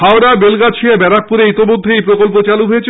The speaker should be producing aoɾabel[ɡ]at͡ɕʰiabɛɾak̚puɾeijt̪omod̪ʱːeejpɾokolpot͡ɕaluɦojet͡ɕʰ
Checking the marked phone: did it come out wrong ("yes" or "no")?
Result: no